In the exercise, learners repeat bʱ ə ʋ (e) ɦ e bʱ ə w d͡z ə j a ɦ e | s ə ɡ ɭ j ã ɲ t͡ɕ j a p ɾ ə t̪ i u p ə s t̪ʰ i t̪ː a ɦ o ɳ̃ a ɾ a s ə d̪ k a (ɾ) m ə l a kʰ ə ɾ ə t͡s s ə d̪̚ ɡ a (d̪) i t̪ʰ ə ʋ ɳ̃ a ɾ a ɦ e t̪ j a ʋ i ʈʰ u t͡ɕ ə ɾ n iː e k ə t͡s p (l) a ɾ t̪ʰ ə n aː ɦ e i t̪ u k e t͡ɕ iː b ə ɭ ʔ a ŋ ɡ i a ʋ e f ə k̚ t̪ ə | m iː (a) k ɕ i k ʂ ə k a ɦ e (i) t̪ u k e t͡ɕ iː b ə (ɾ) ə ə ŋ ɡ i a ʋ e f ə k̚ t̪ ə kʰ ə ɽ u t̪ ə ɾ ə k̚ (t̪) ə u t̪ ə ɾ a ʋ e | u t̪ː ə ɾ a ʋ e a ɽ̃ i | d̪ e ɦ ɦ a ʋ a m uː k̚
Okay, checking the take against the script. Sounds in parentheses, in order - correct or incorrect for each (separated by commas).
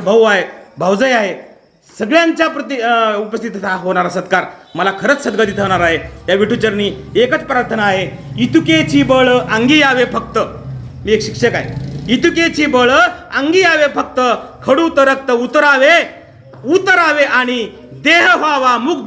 incorrect, correct, correct, incorrect, incorrect, correct, incorrect, correct